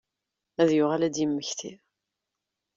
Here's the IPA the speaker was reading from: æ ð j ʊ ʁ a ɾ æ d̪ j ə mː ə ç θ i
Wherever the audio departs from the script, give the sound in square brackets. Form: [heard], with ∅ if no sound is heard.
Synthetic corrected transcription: æ ð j ʊ ʁ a [l] æ d̪ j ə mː ə ç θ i